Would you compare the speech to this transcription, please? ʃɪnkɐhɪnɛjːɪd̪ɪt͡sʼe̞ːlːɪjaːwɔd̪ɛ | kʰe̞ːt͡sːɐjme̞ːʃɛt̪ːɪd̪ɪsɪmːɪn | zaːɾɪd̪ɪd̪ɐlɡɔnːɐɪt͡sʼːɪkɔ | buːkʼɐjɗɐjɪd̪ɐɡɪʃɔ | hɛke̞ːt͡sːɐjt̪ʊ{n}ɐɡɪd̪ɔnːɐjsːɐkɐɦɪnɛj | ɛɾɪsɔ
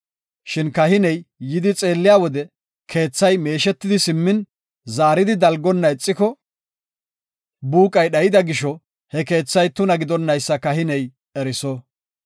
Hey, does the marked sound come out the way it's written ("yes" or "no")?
yes